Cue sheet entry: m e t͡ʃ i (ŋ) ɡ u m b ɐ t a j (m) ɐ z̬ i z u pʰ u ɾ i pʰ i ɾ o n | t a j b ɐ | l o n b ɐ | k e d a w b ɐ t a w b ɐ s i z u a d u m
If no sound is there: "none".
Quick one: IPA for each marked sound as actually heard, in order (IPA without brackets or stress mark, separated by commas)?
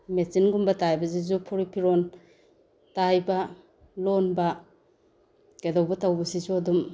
n, b